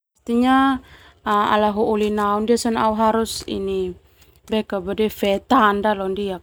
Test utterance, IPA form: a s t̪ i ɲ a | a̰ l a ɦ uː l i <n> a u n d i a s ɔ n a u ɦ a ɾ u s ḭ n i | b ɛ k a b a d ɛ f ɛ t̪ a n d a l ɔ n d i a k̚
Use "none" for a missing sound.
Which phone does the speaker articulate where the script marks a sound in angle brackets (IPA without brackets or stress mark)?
n